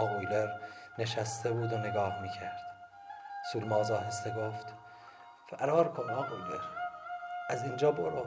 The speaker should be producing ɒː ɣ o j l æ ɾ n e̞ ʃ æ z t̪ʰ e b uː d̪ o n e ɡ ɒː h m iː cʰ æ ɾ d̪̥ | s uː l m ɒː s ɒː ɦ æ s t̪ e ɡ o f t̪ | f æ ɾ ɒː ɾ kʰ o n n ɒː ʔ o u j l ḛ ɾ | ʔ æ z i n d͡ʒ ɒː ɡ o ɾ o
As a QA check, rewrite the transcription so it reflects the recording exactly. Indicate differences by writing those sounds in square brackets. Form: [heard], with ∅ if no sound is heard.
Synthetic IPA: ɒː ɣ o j l [e] ɾ n e̞ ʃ æ [s] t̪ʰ e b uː d̪ o n e ɡ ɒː h m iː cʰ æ ɾ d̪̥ | s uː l m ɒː [z] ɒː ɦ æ s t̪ e ɡ o f t̪ | f æ ɾ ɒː ɾ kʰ o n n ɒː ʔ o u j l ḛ ɾ | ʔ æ z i n d͡ʒ ɒː [b] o ɾ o